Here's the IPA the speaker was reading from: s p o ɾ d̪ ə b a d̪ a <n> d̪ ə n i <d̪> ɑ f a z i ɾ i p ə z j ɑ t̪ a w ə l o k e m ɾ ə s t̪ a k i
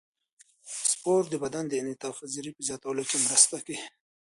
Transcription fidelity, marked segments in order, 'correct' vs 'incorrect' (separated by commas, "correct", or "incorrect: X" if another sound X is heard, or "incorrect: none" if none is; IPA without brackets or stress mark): correct, incorrect: t̪